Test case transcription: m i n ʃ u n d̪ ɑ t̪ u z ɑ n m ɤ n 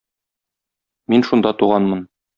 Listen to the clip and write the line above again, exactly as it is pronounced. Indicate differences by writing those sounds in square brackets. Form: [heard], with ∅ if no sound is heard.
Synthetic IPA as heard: m i n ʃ u n d̪ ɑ t̪ u [ʁ] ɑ n m ɤ n